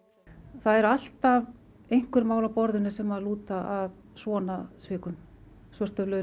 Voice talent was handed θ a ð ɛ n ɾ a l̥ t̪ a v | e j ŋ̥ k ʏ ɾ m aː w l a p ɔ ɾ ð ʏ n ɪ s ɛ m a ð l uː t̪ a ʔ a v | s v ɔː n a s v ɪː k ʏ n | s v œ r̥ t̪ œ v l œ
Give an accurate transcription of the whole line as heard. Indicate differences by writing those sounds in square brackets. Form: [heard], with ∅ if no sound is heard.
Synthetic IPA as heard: θ a ð ɛ [∅] ɾ a l̥ t̪ a v | e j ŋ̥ k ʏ ɾ m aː w l a p ɔ ɾ ð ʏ n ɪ s ɛ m a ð l uː t̪ a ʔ a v | s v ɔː n a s v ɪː k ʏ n | s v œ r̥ t̪ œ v l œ